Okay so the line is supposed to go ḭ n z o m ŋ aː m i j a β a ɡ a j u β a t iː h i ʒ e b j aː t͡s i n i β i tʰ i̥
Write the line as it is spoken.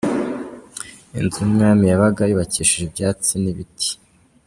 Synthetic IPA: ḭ n z u m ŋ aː m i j a β a ɡ a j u β a c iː ʃ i ʒ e b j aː t͡s i n i β i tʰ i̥